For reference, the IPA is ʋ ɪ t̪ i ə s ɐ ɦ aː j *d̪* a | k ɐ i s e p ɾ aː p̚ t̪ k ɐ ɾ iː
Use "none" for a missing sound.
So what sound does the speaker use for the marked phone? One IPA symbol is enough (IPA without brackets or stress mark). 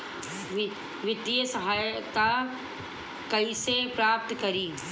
t̪